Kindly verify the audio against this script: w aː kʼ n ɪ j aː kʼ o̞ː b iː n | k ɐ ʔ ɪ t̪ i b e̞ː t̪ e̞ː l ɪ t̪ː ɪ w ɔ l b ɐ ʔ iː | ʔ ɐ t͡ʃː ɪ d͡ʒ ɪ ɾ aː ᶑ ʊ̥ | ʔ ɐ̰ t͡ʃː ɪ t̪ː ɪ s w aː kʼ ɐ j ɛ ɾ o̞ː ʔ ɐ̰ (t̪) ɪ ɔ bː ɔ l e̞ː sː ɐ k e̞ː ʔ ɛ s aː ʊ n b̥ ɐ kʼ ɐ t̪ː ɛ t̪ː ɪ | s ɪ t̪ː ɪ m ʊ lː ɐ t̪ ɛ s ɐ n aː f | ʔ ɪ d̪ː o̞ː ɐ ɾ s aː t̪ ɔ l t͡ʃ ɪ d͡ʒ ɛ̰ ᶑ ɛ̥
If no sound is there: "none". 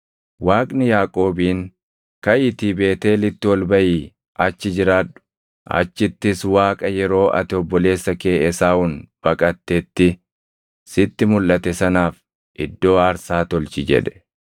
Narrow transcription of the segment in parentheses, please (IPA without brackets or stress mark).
t̪